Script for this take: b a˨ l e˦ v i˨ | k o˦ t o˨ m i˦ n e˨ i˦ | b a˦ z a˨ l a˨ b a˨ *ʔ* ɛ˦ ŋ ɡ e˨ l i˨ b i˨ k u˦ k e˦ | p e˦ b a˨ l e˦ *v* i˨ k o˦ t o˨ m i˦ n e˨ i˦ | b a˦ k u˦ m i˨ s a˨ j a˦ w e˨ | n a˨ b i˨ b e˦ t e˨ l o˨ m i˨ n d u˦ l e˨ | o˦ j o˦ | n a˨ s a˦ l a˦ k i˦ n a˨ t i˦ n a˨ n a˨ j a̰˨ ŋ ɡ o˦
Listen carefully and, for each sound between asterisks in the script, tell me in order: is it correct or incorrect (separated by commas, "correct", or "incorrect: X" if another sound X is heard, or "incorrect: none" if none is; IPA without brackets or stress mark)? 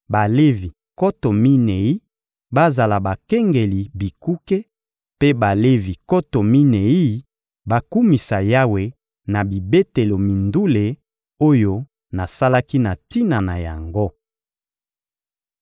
incorrect: k, correct